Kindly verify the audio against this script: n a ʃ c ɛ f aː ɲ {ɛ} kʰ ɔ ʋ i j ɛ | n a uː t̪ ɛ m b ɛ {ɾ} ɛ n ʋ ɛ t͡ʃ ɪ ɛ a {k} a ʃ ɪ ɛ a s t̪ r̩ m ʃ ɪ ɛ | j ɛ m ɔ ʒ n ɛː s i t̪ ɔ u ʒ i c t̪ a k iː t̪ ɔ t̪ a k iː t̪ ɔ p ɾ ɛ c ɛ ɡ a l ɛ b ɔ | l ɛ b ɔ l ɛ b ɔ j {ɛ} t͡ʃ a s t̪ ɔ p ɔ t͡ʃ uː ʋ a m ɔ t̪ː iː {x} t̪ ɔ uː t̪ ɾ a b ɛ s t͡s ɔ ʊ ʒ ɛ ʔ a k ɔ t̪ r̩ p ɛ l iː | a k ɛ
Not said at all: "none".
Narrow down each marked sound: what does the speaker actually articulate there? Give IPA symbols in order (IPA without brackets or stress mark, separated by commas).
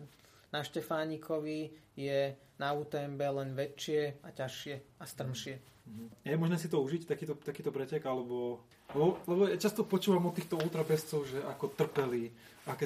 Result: i, l, c, a, x